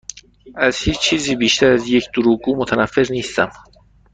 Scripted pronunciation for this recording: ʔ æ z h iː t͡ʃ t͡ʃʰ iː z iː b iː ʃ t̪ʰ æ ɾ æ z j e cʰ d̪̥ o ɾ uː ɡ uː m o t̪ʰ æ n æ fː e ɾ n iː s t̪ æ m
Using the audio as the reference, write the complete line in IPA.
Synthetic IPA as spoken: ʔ æ z h iː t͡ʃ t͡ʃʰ iː z iː b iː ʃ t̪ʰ æ ɾ æ z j e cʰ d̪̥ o ɾ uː ɡ uː m o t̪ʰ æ n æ fː e ɾ n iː s t̪ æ m